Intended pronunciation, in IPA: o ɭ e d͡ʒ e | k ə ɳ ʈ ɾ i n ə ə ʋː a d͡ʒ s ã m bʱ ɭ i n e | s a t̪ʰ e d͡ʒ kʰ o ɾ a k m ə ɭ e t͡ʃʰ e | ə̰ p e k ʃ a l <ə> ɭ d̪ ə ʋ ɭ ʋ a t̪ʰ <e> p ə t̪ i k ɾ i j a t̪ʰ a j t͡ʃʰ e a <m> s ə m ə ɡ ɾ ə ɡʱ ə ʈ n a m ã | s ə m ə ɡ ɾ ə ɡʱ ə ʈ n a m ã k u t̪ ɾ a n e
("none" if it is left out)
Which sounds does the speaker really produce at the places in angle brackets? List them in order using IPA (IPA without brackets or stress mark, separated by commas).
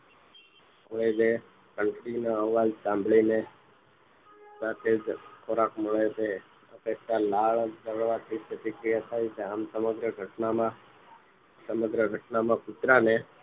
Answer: a, i, m